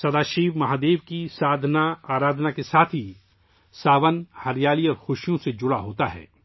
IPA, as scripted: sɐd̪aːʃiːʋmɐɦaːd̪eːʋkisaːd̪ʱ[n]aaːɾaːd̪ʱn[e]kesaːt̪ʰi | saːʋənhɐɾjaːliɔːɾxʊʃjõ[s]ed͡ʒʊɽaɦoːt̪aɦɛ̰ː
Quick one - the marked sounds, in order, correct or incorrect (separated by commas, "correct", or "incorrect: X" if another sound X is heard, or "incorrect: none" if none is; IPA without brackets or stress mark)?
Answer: correct, incorrect: a, correct